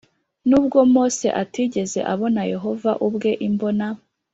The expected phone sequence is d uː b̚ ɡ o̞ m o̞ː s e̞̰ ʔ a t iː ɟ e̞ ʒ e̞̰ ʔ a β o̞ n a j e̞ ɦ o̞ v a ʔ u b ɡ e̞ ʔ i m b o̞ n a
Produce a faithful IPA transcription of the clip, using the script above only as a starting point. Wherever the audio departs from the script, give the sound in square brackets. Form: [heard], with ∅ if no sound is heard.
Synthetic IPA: [n] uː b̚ ɡ o̞ m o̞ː s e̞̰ ʔ a t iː ɟ e̞ [z] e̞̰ ʔ a β o̞ n a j e̞ ɦ o̞ v a ʔ u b ɡ e̞ ʔ i m b o̞ n a